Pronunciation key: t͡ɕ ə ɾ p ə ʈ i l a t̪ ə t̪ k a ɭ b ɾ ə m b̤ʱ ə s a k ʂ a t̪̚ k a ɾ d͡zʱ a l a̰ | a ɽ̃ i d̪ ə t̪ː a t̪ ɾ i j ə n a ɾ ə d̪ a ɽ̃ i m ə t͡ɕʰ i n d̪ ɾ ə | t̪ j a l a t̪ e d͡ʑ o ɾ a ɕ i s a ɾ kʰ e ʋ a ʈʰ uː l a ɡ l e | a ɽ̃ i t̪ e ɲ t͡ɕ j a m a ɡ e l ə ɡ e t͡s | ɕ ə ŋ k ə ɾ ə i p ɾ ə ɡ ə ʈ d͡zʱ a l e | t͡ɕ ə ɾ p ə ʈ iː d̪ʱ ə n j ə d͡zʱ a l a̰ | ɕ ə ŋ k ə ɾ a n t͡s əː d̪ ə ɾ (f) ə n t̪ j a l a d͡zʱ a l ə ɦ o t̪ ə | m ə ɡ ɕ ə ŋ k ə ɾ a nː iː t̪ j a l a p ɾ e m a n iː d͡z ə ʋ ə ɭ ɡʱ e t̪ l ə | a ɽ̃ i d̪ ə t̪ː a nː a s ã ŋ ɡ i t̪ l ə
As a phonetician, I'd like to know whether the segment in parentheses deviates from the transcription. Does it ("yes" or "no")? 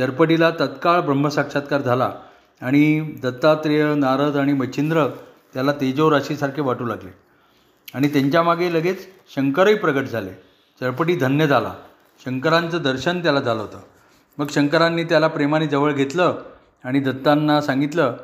yes